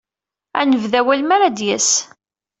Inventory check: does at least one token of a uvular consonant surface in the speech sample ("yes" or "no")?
no